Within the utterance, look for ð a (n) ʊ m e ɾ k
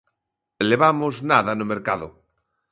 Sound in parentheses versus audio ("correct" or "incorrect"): correct